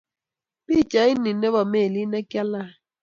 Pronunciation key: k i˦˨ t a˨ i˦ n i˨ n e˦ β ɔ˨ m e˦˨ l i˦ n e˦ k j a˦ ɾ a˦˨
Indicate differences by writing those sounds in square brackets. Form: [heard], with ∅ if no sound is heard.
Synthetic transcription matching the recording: [p] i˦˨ [t͡ʃ] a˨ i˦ n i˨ n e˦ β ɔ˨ m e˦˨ l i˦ n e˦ k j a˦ [l] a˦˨

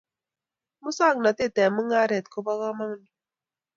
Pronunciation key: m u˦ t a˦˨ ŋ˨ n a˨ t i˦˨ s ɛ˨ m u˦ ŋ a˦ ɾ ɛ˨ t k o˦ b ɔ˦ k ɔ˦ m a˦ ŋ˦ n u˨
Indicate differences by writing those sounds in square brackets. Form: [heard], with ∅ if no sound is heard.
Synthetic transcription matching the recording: m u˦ [s] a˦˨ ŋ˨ n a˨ t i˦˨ [t] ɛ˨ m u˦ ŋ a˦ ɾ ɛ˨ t k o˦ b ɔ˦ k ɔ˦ m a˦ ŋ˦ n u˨

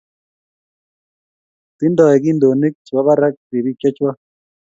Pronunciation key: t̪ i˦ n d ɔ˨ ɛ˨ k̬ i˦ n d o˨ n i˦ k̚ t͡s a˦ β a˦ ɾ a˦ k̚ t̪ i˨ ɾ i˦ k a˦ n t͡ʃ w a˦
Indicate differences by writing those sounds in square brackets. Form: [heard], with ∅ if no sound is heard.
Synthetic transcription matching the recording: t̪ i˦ n d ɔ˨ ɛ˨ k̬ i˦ n d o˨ n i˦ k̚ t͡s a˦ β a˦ ɾ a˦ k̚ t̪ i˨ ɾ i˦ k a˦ [∅] t͡ʃ w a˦

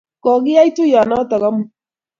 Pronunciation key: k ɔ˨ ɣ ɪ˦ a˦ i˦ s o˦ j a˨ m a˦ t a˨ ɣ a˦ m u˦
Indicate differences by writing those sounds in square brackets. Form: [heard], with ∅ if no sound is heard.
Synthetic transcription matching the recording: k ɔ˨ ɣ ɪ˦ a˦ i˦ [t] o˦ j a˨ [n] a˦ t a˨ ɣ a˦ m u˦

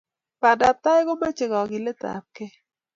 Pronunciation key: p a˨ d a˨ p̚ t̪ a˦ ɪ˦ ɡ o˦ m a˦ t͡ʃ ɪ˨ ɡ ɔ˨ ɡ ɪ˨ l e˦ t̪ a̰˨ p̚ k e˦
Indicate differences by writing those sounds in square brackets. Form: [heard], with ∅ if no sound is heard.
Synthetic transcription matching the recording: p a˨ d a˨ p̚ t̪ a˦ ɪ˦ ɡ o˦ m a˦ t͡ʃ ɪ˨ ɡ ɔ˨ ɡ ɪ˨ l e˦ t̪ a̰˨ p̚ k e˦

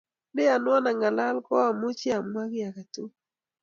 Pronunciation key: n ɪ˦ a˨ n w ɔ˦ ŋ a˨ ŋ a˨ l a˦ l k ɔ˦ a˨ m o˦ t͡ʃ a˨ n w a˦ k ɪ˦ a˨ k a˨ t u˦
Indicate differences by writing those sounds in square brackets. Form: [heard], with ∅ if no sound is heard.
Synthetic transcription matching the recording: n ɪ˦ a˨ n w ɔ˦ [n] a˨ ŋ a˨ l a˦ l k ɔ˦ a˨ m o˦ t͡ʃ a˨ [m] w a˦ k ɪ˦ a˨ k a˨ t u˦

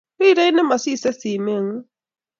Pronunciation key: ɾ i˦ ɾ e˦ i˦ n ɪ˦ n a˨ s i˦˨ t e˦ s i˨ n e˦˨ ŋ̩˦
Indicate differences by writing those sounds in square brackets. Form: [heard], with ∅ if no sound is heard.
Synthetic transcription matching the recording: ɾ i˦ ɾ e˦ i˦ n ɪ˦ [m] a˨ s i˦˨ [s] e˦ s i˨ [m] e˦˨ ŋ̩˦

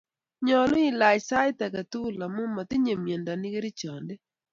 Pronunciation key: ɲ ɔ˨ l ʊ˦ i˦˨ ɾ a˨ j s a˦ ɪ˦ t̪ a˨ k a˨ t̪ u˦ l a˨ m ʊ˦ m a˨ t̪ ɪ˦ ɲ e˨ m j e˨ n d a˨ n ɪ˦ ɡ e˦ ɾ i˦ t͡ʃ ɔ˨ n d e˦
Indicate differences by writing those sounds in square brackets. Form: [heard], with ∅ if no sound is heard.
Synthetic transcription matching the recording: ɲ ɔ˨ l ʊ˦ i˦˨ [l] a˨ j s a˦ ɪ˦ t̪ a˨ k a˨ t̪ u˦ l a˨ m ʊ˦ m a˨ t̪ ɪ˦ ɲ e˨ m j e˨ n d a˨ n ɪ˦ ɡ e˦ ɾ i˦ t͡ʃ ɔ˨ n d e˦

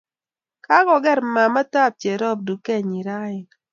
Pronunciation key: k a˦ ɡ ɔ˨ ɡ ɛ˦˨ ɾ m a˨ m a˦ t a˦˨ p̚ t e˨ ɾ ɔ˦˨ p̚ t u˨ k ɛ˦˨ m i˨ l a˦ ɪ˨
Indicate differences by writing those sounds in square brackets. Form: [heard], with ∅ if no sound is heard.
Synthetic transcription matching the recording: k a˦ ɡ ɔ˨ ɡ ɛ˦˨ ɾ m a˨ m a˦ t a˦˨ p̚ [t͡ʃ] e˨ ɾ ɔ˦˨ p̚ [d] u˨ k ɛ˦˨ [ɲ] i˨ [ɾ] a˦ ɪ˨

